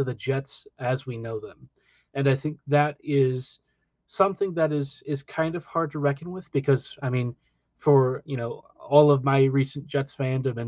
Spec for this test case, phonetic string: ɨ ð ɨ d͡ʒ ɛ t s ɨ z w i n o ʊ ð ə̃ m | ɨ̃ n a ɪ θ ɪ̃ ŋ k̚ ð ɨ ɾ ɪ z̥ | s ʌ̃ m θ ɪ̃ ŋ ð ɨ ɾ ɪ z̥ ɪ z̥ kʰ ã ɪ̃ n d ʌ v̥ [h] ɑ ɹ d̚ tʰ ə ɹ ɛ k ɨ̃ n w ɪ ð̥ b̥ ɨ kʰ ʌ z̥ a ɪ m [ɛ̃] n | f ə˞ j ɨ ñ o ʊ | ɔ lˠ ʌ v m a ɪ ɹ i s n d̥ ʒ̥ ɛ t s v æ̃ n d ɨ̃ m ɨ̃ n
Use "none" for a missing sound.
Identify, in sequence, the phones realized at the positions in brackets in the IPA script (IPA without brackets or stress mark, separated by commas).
h, ĩ